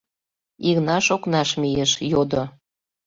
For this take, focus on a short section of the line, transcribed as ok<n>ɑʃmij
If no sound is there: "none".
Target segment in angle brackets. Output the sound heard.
n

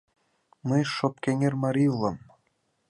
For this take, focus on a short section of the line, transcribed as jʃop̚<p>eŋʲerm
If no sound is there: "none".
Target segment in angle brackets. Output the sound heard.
k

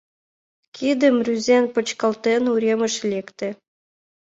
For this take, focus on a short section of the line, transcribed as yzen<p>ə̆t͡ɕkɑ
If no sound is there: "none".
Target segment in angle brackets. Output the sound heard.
p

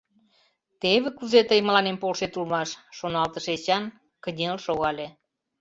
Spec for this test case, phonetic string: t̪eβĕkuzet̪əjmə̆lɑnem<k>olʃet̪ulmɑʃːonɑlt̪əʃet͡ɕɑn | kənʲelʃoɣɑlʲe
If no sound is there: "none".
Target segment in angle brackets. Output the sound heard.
p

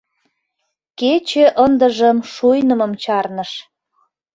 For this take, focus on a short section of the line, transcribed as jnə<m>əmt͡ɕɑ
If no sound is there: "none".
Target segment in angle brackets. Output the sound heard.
m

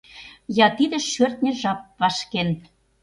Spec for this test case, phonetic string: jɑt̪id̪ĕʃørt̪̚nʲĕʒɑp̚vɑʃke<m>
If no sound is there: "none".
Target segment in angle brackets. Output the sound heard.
n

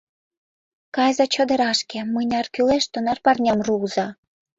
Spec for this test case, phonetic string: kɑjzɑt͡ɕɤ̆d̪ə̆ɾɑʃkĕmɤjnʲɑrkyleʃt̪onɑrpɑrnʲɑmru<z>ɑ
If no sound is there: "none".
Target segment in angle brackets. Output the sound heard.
z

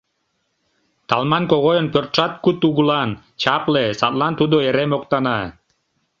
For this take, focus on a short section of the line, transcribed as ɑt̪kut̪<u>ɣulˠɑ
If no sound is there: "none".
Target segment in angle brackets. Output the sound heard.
u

